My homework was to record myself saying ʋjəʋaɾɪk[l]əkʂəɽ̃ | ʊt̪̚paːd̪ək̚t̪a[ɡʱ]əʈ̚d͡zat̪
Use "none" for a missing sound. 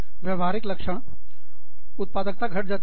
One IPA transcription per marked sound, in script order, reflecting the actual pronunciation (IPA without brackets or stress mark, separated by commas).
l, ɡʱ